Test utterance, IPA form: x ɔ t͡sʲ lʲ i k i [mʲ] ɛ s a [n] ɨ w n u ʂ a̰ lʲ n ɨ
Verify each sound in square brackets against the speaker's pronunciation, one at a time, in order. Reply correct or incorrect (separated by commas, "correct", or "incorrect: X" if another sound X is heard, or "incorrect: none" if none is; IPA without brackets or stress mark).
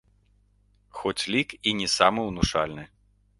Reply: incorrect: nʲ, incorrect: m